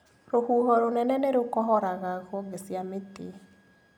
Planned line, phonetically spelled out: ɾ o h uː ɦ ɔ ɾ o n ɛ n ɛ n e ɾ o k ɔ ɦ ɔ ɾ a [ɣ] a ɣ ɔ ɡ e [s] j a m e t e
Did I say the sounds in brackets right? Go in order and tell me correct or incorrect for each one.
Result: correct, correct

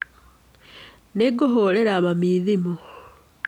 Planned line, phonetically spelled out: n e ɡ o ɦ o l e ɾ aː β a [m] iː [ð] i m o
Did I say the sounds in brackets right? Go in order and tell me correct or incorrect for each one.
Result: correct, correct

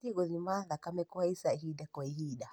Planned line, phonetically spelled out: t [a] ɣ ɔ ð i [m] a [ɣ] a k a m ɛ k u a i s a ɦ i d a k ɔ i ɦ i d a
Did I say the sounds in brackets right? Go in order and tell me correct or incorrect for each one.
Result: incorrect: i, correct, incorrect: ð

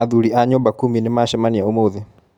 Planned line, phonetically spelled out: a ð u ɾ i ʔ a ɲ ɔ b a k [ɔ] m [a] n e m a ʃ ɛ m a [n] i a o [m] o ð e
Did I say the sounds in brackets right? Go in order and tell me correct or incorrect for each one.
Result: incorrect: u, incorrect: i, correct, correct

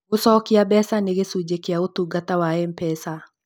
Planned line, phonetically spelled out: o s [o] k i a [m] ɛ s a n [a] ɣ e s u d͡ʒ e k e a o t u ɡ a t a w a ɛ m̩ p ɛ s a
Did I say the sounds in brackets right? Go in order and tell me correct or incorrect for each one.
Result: incorrect: ɔ, incorrect: b, incorrect: e

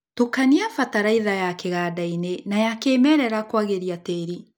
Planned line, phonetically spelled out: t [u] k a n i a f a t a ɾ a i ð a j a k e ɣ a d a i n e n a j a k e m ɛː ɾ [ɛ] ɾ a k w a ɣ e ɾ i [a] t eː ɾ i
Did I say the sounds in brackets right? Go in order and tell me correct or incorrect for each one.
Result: incorrect: o, correct, correct

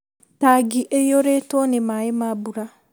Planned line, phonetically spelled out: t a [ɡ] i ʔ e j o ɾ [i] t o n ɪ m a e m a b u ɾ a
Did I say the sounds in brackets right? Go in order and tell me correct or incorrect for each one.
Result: correct, incorrect: e

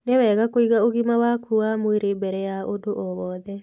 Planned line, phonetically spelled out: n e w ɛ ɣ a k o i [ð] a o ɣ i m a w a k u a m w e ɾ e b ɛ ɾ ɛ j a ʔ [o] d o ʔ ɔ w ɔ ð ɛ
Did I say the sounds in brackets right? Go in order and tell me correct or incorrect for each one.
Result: incorrect: ɣ, correct

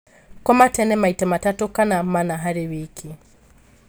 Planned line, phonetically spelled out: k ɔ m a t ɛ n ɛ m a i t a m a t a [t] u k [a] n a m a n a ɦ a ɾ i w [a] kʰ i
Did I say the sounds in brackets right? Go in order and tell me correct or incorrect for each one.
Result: correct, correct, incorrect: i

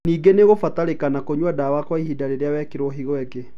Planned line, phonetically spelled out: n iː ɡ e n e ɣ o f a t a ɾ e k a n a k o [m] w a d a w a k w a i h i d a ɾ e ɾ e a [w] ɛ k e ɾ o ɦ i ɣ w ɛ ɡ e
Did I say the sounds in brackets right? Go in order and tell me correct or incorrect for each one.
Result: incorrect: ɲ, correct

